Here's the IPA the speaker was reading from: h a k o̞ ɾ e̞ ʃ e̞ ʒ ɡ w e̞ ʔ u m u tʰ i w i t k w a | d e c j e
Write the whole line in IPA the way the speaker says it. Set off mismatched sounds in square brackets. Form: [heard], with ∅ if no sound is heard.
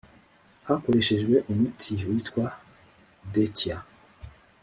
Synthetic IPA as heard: h a k o̞ ɾ e̞ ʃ e̞ ʒ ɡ w e̞ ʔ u m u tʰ i w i t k w a | d e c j [a]